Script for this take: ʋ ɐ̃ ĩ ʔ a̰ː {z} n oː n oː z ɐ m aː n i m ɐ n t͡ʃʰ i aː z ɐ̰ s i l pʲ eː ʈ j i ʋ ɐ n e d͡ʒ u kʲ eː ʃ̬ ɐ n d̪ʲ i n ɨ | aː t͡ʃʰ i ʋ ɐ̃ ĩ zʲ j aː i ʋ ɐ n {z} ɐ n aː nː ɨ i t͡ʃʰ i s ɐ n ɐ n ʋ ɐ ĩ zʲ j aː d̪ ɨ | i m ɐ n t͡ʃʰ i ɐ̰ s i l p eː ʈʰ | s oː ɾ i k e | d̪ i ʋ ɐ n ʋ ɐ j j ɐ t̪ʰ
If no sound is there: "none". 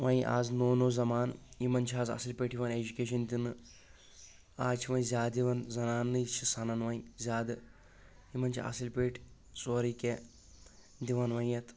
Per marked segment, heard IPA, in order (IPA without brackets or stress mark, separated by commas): z, z